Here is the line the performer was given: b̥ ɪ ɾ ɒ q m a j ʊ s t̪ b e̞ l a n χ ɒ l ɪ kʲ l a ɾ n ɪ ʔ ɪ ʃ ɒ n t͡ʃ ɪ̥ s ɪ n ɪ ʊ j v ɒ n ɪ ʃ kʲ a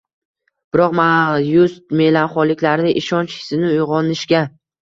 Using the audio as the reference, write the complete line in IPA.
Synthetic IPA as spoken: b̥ ɪ ɾ ɒ q m a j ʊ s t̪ m e̞ l a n χ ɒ l ɪ kʲ l a ɾ n ɪ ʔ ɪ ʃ ɒ n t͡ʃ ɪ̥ s ɪ n ɪ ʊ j ʁ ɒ n ɪ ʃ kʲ a